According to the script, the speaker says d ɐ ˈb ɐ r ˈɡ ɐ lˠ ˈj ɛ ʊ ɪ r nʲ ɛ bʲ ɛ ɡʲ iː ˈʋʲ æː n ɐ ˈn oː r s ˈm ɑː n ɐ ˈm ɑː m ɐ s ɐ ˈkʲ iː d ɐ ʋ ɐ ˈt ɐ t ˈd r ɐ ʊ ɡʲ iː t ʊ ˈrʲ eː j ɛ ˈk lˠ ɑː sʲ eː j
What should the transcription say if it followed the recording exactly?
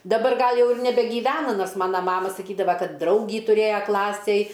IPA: d ɐ ˈb ɐ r ˈɡ ɐ lˠ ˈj ɛ ʊ ɪ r nʲ ɛ bʲ ɛ ɡʲ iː ˈʋʲ æː n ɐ ˈn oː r s ˈm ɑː n ɐ ˈm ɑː m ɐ s ɐ ˈkʲ iː d ɐ ʋ ɐ ˈk ɐ t ˈd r ɐ ʊ ɡʲ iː t ʊ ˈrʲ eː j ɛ ˈk lˠ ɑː sʲ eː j